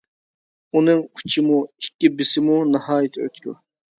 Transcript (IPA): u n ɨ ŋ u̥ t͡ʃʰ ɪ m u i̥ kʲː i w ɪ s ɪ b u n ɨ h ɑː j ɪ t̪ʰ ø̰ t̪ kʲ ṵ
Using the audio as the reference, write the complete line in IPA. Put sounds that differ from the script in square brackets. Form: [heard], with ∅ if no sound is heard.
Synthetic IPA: u n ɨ ŋ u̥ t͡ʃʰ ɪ m u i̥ kʲː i [b] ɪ s ɪ [m] u n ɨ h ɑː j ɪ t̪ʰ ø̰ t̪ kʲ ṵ